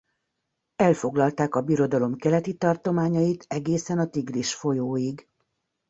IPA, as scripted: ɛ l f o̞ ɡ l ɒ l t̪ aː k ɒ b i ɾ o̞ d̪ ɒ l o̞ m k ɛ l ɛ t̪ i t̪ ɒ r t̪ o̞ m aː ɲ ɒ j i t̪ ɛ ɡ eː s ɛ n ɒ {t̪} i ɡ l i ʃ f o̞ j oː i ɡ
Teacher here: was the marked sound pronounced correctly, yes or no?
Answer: yes